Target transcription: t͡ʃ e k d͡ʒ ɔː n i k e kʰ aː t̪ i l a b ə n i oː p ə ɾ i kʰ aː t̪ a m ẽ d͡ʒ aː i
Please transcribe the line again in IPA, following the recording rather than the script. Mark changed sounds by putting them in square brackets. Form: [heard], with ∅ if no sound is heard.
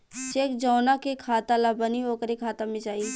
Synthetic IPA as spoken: t͡ʃ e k d͡ʒ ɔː n [a] k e kʰ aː t̪ [a] l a b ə n i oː [k] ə ɾ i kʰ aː t̪ a m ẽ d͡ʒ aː i